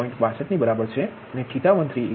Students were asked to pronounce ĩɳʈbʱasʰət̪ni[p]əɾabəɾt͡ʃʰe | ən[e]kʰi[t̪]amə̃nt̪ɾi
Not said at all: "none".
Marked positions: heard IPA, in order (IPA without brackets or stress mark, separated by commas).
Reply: b, e, t̪